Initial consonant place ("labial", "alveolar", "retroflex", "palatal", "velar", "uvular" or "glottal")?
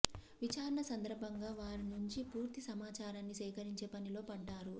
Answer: labial